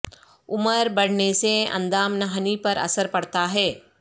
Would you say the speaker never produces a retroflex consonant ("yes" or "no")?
no